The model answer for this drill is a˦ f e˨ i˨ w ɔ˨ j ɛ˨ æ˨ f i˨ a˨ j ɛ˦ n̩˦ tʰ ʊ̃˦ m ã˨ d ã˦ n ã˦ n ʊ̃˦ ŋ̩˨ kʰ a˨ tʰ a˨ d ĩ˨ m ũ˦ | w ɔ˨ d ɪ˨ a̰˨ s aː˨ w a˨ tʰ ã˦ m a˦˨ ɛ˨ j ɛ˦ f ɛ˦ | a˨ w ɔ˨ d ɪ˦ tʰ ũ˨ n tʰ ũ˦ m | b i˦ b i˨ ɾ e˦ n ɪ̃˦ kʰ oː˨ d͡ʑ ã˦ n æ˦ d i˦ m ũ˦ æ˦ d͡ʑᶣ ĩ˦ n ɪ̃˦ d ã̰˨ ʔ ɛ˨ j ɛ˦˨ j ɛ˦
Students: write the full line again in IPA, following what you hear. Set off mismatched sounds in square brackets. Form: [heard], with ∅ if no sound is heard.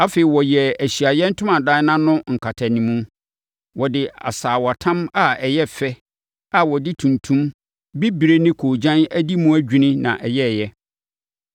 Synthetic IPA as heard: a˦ f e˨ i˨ w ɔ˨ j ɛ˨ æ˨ [ɕ] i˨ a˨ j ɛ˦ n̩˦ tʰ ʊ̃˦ m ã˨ d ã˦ n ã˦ n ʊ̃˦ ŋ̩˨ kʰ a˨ tʰ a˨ [n] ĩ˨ m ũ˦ | w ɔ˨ d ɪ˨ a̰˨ s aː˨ w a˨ tʰ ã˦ m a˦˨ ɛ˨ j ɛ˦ f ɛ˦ | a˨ w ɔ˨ d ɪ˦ tʰ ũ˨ n tʰ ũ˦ m | b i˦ b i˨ ɾ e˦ n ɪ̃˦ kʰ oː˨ d͡ʑ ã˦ n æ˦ d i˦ m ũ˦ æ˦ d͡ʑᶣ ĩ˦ n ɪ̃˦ [n] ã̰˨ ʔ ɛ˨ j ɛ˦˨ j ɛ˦